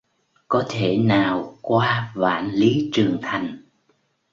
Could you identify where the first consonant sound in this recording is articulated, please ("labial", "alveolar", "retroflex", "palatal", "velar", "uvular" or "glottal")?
velar